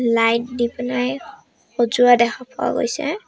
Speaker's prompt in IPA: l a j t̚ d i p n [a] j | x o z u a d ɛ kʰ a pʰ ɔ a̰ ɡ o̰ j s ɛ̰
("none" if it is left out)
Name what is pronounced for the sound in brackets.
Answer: a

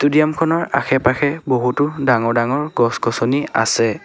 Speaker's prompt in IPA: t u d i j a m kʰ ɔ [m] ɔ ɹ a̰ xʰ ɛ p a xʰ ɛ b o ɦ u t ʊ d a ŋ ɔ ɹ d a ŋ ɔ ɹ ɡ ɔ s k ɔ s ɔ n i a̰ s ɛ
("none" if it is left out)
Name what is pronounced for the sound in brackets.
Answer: n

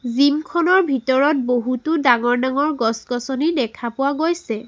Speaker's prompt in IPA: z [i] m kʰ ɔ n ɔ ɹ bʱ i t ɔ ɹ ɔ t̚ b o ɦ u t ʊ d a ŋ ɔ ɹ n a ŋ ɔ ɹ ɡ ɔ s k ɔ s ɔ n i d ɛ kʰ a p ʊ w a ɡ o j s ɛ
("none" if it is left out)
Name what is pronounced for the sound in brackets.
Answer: i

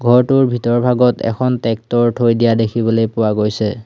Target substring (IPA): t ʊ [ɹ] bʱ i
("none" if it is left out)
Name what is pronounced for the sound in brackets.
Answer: ɹ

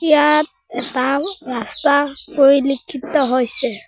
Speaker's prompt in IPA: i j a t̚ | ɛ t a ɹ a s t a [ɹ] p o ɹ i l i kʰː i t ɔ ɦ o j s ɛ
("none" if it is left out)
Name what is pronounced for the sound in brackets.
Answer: none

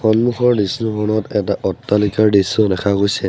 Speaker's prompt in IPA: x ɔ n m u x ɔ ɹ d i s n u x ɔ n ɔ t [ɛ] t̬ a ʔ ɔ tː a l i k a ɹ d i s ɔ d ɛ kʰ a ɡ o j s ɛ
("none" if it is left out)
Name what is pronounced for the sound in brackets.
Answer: ɛ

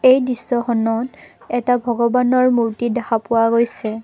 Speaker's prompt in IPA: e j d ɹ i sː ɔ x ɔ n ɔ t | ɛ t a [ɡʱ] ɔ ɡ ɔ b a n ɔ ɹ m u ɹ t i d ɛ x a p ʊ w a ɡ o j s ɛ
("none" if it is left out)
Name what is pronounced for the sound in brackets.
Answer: bʱ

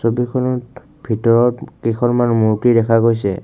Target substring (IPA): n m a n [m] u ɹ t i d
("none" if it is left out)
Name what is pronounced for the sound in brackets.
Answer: m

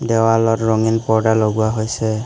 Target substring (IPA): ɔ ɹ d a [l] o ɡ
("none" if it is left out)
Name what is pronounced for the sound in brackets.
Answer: l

